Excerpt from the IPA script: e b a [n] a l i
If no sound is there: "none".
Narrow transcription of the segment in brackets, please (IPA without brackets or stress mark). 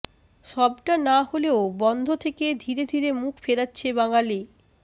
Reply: ŋ